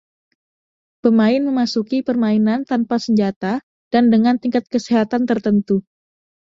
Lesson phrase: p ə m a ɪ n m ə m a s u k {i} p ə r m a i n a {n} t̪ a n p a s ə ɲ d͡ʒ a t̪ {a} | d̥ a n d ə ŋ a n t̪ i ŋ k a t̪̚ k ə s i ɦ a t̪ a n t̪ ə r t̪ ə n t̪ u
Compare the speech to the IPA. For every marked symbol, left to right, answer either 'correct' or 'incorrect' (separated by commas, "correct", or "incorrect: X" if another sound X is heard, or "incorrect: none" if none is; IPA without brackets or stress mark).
correct, correct, correct